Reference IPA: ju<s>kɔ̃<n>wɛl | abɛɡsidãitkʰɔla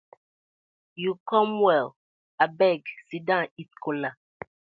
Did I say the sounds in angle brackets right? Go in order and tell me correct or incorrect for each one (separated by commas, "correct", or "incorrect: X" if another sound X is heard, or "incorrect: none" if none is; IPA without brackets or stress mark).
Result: incorrect: none, incorrect: m